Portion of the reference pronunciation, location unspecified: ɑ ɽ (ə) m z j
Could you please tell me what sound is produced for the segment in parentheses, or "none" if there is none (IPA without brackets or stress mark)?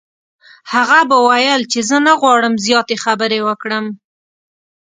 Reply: ə